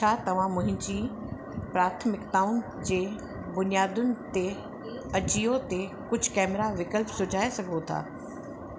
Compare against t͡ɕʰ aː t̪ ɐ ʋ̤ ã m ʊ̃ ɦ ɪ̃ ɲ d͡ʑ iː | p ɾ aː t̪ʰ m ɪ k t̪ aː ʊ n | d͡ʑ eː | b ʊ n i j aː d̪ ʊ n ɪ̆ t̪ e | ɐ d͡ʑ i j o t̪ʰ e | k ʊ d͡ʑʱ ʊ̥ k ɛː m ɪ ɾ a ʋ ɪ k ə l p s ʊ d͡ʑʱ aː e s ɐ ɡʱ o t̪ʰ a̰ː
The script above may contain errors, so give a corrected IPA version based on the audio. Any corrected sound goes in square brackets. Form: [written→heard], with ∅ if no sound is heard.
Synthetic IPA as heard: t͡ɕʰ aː t̪ ɐ ʋ̤ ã m ʊ̃ ɦ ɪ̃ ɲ d͡ʑ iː | p ɾ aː t̪ʰ m ɪ k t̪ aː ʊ n | d͡ʑ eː | b ʊ n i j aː d̪ ʊ n ɪ̆ t̪ e | ɐ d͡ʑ i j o [t̪ʰ→t̪] e | k ʊ d͡ʑʱ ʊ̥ k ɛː m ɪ ɾ a ʋ ɪ k ə l p s ʊ d͡ʑʱ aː e s ɐ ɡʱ o t̪ʰ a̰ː